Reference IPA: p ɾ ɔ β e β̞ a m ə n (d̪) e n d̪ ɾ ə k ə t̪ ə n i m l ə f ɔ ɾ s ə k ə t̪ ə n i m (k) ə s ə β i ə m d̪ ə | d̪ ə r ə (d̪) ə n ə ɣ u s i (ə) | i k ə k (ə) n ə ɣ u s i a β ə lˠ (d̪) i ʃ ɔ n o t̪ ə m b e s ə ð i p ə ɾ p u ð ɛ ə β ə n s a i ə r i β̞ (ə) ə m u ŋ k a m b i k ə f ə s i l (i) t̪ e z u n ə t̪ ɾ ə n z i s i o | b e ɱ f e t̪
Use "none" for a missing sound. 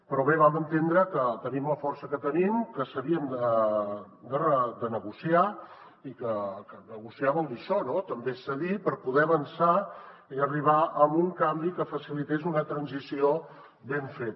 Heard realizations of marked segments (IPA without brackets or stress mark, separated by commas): t̪, k, d̪, a, ə, d̪, a, i